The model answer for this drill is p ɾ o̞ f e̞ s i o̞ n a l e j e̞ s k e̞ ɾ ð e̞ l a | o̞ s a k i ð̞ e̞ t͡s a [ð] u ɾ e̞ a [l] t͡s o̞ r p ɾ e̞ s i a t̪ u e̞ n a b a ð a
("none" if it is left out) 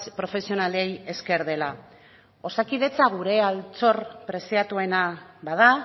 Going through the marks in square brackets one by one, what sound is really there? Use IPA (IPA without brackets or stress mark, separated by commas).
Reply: ɣ, l